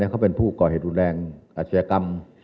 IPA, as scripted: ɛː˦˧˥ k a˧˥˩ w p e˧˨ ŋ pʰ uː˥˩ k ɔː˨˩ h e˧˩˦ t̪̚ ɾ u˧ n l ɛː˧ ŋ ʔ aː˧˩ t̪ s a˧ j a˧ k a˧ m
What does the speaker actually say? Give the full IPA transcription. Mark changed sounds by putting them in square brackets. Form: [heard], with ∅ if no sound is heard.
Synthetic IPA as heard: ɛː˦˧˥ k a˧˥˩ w p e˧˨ [n] pʰ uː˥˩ k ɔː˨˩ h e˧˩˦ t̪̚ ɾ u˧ n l ɛː˧ ŋ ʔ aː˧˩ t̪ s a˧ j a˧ k a˧ m